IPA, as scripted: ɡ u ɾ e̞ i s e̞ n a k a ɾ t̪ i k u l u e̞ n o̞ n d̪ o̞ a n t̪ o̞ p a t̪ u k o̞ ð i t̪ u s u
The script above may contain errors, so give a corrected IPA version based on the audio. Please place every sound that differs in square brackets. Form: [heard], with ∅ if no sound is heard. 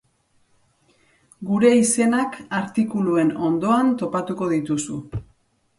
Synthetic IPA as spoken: ɡ u ɾ e̞ i s e̞ n a k a ɾ t̪ i k u l u e̞ n o̞ n d̪ o̞ a n t̪ o̞ p a t̪ u k o̞ ð i t̪ u s u

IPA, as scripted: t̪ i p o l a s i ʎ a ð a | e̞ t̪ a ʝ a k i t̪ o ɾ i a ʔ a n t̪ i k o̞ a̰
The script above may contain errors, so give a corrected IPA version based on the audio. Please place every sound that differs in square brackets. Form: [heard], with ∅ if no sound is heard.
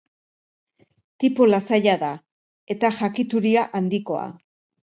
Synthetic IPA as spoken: t̪ i p o l a s [a] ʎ a ð a | e̞ t̪ a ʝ a k i t̪ [u] ɾ i a ʔ a n [d̪] i k o̞ a̰

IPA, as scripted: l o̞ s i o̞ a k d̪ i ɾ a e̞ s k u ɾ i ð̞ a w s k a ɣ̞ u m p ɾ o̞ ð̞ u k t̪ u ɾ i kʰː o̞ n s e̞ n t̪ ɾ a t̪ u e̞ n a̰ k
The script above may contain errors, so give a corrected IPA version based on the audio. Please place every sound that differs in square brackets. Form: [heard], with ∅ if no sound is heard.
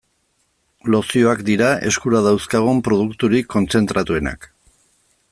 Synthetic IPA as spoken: l o̞ s i o̞ a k d̪ i ɾ a e̞ s k u ɾ [a] ð̞ a w s k a ɣ̞ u m p ɾ o̞ ð̞ u k t̪ u ɾ i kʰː o̞ n [t͡s] e̞ n t̪ ɾ a t̪ u e̞ n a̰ k

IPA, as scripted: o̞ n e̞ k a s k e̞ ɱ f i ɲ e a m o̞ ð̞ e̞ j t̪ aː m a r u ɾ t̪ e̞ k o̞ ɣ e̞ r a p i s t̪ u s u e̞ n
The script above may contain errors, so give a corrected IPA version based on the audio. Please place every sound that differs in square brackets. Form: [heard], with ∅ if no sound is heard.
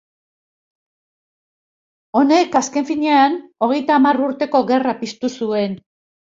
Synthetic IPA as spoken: o̞ n e̞ k a s k e̞ ɱ f i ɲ e a [n] o̞ [ɣ̞] e̞ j t̪ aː m a r u ɾ t̪ e̞ k o̞ ɣ e̞ r a p i s t̪ u s u e̞ n

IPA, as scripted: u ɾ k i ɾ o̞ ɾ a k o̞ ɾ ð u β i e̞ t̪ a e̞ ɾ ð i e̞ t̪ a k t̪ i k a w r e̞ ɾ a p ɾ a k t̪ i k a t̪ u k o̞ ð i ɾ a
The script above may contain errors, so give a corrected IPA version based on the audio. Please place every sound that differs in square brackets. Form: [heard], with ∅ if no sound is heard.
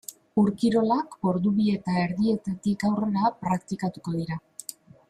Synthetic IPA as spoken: u ɾ k i ɾ o̞ [l] a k o̞ ɾ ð u β i e̞ t̪ a e̞ ɾ ð i e̞ t̪ a [∅] t̪ i k a w r e̞ ɾ a p ɾ a k t̪ i k a t̪ u k o̞ ð i ɾ a

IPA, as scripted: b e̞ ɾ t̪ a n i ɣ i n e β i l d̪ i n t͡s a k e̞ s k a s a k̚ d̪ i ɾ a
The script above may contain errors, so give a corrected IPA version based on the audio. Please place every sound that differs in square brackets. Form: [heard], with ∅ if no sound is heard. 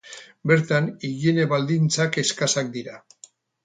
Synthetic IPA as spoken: b e̞ ɾ t̪ a n i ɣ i n e β [a] l d̪ i n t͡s a k e̞ s k a s a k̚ d̪ i ɾ a

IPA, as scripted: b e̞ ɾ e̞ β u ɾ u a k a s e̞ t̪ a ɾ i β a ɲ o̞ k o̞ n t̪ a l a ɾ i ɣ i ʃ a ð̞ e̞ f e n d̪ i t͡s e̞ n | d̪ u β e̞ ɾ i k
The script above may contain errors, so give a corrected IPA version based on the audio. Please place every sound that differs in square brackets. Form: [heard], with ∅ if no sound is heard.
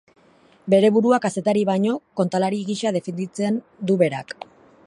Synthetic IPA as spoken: b e̞ ɾ e̞ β u ɾ u a k a s e̞ t̪ a ɾ i β a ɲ o̞ k o̞ n t̪ a l a ɾ i ɣ i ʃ a ð̞ e̞ f e n d̪ i t͡s e̞ n | d̪ u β e̞ ɾ [a] k

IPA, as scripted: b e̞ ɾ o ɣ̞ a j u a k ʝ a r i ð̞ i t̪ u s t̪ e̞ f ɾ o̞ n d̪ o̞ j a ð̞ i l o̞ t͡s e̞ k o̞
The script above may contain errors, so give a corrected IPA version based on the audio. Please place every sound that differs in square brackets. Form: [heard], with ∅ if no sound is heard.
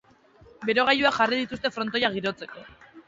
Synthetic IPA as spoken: b e̞ ɾ o ɣ̞ a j u a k ʝ a r i ð̞ i t̪ u s t̪ e̞ f ɾ o̞ n [t̪] o̞ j a [ɣ̞] i [ɾ] o̞ t͡s e̞ k o̞

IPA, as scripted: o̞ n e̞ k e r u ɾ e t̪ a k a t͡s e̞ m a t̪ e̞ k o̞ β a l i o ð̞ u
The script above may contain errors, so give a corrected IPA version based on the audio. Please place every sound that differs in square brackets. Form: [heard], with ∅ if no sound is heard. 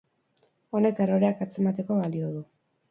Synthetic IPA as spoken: o̞ n e̞ k e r [o] ɾ e [∅] a k a t͡s e̞ m a t̪ e̞ k o̞ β a l i o ð̞ u

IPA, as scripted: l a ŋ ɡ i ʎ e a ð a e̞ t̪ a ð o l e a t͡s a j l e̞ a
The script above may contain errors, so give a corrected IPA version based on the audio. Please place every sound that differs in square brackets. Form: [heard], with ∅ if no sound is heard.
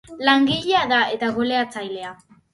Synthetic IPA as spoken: l a ŋ ɡ i ʎ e a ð a e̞ t̪ a [ɣ] o l e a t͡s a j l e̞ a

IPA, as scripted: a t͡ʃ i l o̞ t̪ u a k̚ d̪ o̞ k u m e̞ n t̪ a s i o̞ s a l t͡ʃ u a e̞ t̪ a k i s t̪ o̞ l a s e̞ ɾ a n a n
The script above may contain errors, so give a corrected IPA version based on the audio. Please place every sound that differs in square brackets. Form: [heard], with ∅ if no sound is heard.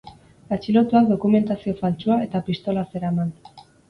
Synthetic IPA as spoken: a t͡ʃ i l o̞ t̪ u a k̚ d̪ o̞ k u m e̞ n t̪ a s i o̞ [f] a l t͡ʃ u a e̞ t̪ a [p] i s t̪ o̞ l a s e̞ ɾ a [m] a n

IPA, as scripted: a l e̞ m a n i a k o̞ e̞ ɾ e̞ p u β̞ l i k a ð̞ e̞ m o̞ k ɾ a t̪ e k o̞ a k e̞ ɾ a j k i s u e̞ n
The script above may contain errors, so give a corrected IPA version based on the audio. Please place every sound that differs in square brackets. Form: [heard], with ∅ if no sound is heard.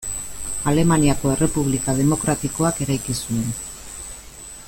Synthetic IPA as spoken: a l e̞ m a n i a k o̞ e̞ [r] e̞ p u β̞ l i k a ð̞ e̞ m o̞ k ɾ a t̪ [i] k o̞ a k e̞ ɾ a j k i s u e̞ n

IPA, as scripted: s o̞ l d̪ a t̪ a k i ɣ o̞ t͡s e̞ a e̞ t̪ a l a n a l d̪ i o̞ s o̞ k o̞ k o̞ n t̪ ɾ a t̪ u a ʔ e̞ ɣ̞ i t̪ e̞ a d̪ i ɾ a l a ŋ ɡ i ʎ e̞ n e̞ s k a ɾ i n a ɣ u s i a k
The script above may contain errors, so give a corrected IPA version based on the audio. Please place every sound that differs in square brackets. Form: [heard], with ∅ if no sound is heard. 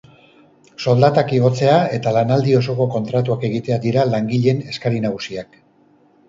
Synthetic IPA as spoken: s o̞ l d̪ a t̪ a k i ɣ o̞ t͡s e̞ a e̞ t̪ a l a n a l d̪ i o̞ s o̞ k o̞ k o̞ n t̪ ɾ a t̪ u a [k] e̞ ɣ̞ i t̪ e̞ a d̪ i ɾ a l a ŋ ɡ i ʎ e̞ n e̞ s k a ɾ i n a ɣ u s i a k

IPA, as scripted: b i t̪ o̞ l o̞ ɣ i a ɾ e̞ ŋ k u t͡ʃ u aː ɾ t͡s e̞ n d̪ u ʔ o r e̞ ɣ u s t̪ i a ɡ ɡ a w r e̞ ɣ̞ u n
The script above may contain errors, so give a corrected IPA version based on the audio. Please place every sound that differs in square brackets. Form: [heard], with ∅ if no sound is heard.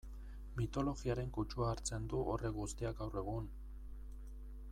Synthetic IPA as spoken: [m] i t̪ o̞ l o̞ ɣ i a ɾ e̞ ŋ k u t͡ʃ u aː ɾ t͡s e̞ n d̪ u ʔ o r e̞ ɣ u s t̪ i a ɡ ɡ a w r e̞ ɣ̞ u n

